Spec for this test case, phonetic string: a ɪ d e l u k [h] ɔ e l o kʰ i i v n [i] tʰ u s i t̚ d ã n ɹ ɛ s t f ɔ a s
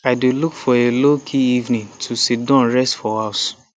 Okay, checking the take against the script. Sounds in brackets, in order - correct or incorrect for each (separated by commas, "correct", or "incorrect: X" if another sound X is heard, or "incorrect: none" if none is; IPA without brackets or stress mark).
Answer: incorrect: f, incorrect: ĩ